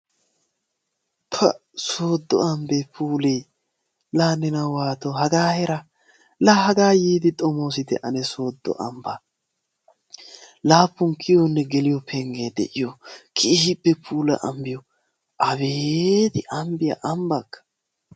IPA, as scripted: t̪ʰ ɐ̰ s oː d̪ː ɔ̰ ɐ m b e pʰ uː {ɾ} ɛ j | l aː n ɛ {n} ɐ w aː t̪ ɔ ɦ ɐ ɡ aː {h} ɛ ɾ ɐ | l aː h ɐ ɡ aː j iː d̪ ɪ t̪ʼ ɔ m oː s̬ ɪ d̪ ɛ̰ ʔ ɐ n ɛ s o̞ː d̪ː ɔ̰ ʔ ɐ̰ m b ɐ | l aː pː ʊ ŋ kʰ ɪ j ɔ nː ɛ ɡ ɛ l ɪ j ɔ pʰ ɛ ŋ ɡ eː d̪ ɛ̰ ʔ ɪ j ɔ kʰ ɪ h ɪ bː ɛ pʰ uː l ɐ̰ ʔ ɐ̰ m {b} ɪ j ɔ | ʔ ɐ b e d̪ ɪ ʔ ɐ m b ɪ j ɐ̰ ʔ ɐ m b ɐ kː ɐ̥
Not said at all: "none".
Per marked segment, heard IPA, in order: l, n, h, b

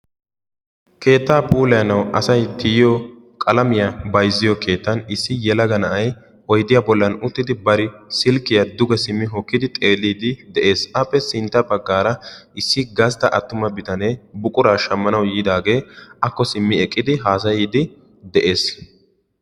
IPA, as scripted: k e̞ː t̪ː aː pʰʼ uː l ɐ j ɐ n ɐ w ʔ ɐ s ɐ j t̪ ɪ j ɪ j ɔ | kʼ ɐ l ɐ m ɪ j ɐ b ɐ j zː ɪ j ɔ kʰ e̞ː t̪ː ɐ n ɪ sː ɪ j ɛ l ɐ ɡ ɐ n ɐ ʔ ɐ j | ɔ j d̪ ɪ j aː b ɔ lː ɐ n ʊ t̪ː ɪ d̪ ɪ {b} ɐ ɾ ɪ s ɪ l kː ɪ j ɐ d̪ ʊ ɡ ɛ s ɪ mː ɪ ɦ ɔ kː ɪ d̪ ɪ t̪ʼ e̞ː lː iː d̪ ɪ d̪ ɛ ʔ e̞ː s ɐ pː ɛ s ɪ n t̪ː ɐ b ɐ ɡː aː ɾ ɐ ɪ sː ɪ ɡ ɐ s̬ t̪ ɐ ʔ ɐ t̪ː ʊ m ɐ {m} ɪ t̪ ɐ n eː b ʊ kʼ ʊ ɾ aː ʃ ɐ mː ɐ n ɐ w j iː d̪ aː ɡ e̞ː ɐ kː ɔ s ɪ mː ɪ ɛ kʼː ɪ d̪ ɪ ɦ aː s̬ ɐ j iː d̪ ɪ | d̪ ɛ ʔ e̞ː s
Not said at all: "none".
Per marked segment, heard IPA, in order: b, b

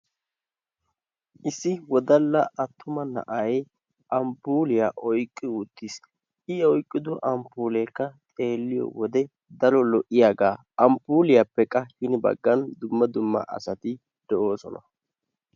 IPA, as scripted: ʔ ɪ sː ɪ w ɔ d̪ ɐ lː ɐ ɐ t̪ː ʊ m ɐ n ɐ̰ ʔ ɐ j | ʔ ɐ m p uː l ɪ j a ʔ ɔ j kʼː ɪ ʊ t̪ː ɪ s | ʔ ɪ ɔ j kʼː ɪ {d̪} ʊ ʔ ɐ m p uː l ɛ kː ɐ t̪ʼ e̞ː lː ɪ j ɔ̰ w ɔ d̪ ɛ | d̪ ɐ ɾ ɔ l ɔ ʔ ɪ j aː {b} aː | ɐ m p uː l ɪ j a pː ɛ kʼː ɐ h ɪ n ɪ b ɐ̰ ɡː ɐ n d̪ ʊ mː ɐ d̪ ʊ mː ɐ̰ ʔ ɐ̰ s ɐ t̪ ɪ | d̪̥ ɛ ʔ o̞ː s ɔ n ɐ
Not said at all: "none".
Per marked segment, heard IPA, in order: d̪, ɡ

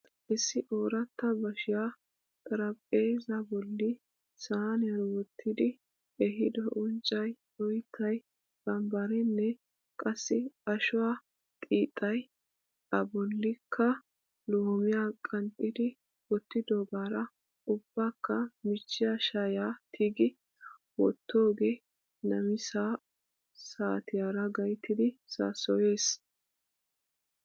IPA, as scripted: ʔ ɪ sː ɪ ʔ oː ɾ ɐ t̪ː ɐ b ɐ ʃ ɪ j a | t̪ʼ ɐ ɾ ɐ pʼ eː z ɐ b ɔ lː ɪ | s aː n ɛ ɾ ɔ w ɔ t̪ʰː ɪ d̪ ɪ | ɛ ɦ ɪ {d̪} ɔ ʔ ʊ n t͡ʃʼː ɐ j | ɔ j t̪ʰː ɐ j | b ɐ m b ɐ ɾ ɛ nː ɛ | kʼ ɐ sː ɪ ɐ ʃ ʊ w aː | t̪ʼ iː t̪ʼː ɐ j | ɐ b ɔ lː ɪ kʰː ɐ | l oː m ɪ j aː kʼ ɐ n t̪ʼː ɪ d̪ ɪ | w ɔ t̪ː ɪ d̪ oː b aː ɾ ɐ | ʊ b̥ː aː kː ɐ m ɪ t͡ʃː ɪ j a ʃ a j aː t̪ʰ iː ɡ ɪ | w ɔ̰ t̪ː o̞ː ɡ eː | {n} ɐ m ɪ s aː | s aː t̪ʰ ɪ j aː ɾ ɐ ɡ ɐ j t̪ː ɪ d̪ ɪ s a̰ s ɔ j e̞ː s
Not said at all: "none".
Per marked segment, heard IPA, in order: d̪, n

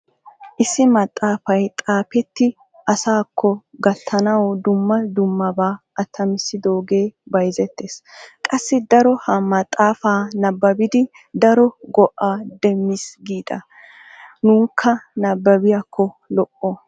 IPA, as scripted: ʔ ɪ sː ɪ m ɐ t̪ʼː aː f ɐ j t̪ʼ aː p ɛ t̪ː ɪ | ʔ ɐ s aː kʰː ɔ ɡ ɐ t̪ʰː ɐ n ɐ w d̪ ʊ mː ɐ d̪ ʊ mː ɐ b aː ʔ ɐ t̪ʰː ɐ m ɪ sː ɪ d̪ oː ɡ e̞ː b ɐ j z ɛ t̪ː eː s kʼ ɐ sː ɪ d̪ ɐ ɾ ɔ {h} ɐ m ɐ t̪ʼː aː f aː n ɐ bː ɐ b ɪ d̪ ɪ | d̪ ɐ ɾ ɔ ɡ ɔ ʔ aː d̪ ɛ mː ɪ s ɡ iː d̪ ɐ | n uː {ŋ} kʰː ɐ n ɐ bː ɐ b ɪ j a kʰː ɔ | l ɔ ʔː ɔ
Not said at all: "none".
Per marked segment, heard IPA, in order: h, ŋ

